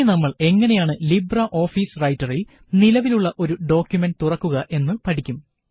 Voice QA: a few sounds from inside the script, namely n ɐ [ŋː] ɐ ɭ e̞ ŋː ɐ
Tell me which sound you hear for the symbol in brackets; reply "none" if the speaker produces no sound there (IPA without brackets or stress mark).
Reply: mː